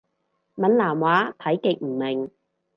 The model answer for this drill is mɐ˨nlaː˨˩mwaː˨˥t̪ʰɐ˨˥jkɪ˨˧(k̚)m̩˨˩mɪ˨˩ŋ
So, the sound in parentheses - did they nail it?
yes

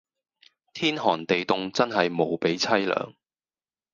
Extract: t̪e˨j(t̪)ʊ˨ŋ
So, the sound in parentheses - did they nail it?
yes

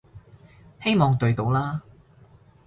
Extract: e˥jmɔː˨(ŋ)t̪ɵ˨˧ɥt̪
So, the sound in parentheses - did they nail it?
yes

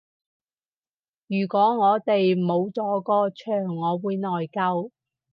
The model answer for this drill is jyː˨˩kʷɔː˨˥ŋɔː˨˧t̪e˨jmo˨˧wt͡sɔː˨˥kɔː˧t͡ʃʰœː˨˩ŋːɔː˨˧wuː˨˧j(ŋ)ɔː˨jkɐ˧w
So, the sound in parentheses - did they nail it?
no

